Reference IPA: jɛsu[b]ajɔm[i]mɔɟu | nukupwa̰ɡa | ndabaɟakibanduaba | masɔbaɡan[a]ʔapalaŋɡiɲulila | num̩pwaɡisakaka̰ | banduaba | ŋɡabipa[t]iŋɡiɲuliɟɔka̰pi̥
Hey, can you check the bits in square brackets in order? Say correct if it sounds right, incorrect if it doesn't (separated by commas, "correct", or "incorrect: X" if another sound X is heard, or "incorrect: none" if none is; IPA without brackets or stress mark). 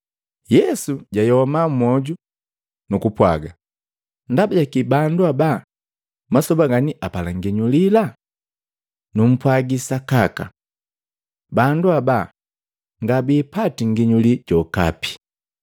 incorrect: ɟ, incorrect: a, incorrect: i, correct